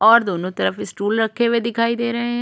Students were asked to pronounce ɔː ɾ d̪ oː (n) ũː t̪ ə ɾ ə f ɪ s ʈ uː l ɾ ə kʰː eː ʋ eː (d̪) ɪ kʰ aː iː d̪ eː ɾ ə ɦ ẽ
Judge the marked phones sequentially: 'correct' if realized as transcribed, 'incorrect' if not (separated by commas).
correct, correct